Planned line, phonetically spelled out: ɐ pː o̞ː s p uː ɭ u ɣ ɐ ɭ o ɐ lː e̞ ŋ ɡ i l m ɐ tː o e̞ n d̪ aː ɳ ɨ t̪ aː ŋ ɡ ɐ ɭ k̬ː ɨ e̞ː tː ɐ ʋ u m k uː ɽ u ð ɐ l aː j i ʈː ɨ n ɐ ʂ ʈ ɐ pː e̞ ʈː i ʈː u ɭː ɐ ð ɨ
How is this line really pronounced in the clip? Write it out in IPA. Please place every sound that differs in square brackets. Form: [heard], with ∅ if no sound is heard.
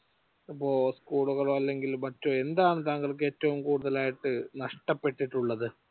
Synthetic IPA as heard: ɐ pː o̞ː s [k] uː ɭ u ɣ ɐ ɭ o ɐ lː e̞ ŋ ɡ i l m ɐ tː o e̞ n d̪ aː ɳ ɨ t̪ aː ŋ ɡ ɐ ɭ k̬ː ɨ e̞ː tː ɐ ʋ u m k uː ɽ u ð ɐ l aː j i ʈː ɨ n ɐ ʂ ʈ ɐ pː e̞ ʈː i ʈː u ɭː ɐ ð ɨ